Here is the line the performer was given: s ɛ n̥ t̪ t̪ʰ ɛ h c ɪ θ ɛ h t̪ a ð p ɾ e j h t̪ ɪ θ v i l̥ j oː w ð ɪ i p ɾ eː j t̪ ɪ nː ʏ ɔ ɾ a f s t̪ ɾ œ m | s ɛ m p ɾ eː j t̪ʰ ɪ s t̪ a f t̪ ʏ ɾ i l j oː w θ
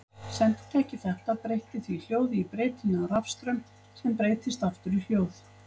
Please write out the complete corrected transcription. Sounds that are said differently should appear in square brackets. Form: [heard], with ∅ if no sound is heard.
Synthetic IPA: s ɛ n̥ t̪ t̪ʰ ɛ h c ɪ θ ɛ h t̪ a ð p ɾ e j h t̪ ɪ θ v i l̥ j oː w ð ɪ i p ɾ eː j t̪ ɪ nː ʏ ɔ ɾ a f s t̪ ɾ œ m | s ɛ m p ɾ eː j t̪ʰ ɪ s t̪ a f t̪ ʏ ɾ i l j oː w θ